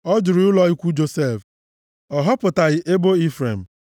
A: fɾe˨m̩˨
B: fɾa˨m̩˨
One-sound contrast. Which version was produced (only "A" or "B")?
A